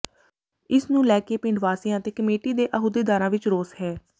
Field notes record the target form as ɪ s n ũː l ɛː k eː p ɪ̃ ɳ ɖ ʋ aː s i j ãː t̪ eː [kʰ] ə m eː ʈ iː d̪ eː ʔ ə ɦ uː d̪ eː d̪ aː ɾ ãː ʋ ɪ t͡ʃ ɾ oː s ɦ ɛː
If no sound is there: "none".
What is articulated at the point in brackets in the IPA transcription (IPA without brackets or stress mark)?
k